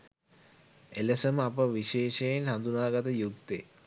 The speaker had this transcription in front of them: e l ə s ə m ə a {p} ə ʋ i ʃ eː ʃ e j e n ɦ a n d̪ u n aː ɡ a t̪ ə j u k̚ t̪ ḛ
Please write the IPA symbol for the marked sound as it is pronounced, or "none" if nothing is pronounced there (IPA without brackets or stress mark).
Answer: p